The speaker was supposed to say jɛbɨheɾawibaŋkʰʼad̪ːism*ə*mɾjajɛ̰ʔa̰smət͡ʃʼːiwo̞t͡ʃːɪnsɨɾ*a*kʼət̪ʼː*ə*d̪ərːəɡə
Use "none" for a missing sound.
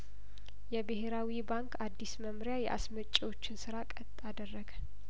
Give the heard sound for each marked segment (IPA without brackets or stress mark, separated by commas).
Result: ə, a, a